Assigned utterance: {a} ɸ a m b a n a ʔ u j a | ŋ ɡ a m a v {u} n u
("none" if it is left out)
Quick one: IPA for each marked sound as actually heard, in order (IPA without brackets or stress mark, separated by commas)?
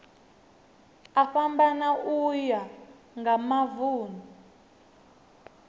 a, uː